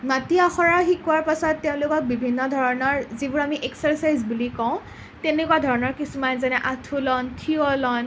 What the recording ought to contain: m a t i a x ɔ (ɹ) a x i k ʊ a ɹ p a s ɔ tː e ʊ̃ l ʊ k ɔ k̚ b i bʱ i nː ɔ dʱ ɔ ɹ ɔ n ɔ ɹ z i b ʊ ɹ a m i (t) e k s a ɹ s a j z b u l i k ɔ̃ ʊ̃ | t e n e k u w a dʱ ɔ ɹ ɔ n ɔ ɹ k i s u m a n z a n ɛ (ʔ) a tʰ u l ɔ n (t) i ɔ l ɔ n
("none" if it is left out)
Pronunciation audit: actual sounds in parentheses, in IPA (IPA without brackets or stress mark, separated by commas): ɹ, ʔ, ʔ, tʰ